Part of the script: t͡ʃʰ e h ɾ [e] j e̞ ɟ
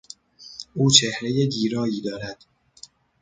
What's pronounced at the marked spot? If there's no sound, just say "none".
e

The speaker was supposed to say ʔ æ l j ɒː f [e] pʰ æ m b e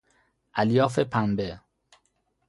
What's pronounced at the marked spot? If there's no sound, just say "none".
e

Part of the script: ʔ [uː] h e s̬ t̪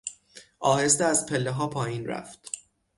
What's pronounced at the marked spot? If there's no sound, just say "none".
ɒː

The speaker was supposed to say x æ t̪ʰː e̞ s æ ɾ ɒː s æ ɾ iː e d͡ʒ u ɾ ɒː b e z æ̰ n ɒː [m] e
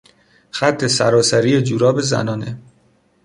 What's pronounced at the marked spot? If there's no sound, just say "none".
n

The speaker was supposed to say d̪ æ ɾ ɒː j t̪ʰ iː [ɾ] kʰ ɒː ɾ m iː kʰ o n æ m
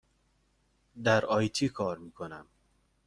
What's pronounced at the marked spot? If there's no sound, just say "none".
none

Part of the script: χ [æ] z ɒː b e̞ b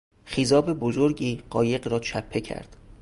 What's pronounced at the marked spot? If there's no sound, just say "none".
i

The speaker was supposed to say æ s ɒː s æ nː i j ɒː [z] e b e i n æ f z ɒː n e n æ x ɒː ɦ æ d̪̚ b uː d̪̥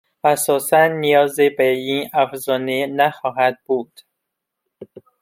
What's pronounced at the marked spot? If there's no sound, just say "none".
z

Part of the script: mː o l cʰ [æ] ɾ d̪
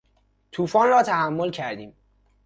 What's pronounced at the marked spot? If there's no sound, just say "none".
æ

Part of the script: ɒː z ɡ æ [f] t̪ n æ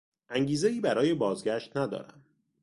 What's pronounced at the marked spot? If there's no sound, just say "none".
ʃ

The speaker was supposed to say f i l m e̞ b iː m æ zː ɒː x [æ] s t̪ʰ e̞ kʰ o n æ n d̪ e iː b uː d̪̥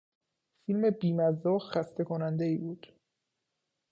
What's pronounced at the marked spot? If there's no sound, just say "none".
æ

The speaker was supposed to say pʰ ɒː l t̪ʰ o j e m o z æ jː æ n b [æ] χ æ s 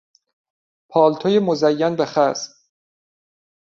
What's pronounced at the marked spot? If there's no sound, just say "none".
e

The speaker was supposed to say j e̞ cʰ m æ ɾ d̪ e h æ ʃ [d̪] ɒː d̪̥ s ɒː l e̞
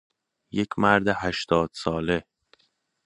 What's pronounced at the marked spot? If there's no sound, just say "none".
t̪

